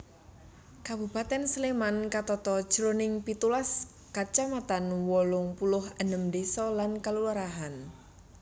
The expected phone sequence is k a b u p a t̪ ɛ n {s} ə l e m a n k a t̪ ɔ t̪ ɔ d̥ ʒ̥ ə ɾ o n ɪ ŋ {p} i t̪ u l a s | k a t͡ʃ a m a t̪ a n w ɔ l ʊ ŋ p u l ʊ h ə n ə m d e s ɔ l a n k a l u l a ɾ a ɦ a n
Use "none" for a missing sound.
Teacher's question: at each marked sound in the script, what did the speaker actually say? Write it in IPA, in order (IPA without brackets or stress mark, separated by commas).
s, p